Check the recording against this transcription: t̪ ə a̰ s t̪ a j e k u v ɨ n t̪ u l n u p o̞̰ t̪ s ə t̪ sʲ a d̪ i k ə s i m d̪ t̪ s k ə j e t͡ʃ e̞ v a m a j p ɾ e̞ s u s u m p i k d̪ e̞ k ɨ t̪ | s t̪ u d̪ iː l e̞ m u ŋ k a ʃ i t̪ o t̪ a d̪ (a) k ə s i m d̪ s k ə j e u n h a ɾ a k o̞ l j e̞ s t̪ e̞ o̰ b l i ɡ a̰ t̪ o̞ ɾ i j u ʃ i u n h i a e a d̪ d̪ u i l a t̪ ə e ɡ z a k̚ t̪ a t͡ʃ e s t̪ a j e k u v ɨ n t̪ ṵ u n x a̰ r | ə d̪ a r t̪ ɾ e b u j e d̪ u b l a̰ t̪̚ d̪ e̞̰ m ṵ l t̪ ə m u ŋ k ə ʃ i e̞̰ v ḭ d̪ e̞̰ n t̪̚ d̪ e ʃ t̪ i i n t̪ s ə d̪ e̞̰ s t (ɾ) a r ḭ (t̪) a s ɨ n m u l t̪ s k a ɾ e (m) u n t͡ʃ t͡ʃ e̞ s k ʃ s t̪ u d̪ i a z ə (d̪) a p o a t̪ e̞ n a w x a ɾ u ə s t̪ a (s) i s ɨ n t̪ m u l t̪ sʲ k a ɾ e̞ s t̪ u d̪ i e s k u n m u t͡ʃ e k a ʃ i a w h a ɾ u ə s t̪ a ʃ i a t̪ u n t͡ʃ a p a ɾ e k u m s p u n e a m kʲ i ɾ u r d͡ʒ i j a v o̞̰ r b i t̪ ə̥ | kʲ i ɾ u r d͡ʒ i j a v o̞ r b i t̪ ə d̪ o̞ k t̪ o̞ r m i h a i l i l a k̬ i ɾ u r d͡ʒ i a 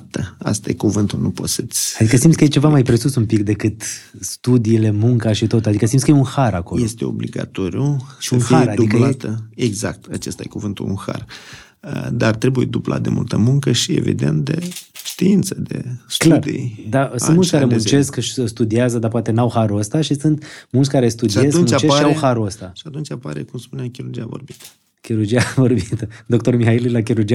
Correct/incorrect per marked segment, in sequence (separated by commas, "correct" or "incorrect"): incorrect, incorrect, incorrect, correct, correct, incorrect